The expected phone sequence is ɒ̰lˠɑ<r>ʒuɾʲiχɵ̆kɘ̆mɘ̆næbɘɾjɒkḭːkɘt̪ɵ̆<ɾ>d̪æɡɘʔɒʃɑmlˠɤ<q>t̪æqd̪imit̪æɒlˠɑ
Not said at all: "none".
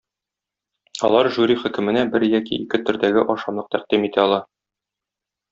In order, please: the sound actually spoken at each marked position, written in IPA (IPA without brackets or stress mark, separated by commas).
ɾ, ɾ, q